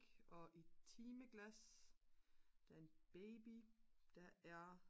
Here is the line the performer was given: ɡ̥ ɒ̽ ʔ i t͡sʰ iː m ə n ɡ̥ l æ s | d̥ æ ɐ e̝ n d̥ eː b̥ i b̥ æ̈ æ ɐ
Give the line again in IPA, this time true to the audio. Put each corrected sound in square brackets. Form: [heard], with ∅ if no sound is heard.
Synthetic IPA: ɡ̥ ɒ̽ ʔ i t͡sʰ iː m ə [∅] ɡ̥ l æ s | d̥ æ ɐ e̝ n [b̥] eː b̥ i [d̥] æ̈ æ ɐ

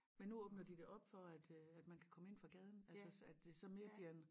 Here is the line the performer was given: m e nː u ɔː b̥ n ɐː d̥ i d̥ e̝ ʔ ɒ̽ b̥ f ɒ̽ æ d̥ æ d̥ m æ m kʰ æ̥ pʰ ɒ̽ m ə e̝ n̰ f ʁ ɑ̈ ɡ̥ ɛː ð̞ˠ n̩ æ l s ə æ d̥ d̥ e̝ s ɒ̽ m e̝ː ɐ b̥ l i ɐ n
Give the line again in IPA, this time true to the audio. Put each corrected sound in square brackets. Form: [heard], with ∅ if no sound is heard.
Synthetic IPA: m e nː u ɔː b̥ n [ɐ] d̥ i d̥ e̝ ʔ ɒ̽ b̥ f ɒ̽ æ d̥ æ d̥ m æ [n] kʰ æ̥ [kʰ] ɒ̽ m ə e̝ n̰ f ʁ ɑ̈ ɡ̥ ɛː ð̞ˠ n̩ æ l s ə æ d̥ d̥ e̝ s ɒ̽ m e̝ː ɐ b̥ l i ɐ n

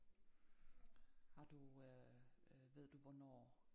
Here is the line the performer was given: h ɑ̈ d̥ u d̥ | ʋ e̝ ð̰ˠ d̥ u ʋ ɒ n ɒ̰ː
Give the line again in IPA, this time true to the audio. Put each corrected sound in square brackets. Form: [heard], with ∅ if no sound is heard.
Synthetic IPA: h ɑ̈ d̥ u [∅] | ʋ e̝ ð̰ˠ d̥ u ʋ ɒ n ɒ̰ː

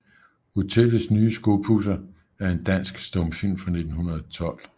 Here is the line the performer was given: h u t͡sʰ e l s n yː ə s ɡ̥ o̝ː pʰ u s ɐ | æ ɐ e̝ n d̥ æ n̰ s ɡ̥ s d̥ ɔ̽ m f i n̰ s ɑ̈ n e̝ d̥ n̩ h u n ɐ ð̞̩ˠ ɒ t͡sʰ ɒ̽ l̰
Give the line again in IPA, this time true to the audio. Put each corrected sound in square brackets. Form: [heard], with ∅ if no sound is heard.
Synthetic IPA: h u t͡sʰ e l s n yː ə s ɡ̥ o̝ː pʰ u s ɐ | æ ɐ e̝ n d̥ æ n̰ s ɡ̥ s d̥ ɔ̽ m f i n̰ [f] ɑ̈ n e̝ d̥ n̩ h u n ɐ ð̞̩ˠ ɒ t͡sʰ ɒ̽ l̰

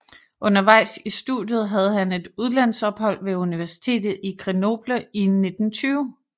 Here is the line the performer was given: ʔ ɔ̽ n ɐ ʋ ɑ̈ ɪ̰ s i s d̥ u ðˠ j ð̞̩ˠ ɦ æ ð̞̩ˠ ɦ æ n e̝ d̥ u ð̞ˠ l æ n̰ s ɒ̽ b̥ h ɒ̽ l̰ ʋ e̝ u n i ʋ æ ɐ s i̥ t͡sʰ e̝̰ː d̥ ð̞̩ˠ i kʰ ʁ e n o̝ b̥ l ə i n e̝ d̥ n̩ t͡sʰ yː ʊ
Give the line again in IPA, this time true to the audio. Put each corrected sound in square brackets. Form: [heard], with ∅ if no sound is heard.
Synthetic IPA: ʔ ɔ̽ n ɐ ʋ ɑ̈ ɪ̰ s i s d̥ u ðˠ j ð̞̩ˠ ɦ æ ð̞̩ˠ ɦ æ n e̝ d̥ u ð̞ˠ l æ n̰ s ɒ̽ b̥ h ɒ̽ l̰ ʋ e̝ u n i ʋ æ ɐ s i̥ t͡sʰ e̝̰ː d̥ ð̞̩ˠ i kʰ ʁ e n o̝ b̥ l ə i n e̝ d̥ n̩ t͡sʰ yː ʊ

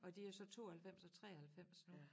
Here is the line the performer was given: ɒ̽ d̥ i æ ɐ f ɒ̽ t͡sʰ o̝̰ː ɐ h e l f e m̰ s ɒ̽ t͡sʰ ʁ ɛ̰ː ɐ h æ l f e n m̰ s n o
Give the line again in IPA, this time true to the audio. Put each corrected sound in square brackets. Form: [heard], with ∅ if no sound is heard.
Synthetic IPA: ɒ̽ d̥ i æ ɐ [s] ɒ̽ t͡sʰ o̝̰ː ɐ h [æ] l f e m̰ s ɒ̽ t͡sʰ ʁ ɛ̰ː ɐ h æ l f e [∅] m̰ s n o

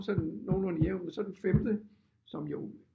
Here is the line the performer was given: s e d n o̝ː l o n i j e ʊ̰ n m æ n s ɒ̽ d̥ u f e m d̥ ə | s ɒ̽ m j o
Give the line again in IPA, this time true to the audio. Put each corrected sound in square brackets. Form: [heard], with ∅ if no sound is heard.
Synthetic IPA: s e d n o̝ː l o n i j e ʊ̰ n m [e] n s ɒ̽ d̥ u f e m d̥ ə | s ɒ̽ m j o

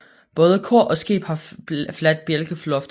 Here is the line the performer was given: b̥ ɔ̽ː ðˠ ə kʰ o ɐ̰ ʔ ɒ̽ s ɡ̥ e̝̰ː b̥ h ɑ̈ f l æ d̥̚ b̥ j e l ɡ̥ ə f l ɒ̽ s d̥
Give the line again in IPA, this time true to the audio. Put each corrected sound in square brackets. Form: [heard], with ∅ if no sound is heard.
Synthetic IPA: b̥ ɔ̽ː ðˠ ə kʰ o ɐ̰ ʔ ɒ̽ s ɡ̥ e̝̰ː b̥ h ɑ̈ f l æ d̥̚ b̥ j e l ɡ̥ ə f l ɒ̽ [f] d̥

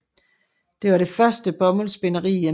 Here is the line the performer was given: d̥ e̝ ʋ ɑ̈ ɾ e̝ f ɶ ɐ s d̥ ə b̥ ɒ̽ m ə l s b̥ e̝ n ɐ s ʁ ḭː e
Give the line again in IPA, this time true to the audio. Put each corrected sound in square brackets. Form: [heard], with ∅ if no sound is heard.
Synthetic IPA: d̥ e̝ ʋ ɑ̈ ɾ e̝ f ɶ ɐ s d̥ ə b̥ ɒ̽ m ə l s b̥ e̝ n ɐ [∅] ʁ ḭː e

